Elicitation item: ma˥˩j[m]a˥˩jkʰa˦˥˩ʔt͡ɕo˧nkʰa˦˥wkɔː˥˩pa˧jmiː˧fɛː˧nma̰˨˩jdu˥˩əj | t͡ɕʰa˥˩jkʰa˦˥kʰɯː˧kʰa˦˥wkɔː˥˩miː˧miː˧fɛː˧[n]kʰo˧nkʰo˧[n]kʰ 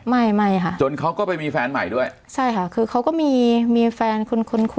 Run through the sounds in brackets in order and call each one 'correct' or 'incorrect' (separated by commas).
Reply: correct, correct, correct